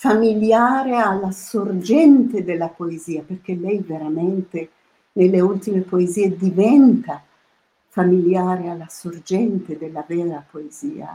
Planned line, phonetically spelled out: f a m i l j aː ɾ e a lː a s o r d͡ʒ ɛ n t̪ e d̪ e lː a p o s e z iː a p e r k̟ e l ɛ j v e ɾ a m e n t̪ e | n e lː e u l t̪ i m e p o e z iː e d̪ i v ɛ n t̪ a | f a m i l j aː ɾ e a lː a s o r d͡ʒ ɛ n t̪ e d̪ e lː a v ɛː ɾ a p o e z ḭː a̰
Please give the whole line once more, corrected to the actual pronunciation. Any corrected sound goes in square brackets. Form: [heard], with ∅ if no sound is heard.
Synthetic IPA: f a m i l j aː ɾ e a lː a s o r d͡ʒ ɛ n t̪ e d̪ e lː a p o [∅] e z iː a p e r k̟ e l ɛ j v e ɾ a m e n t̪ e | n e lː e u l t̪ i m e p o e z iː e d̪ i v ɛ n t̪ a | f a m i l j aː ɾ e a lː a s o r d͡ʒ ɛ n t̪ e d̪ e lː a v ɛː ɾ a p o e z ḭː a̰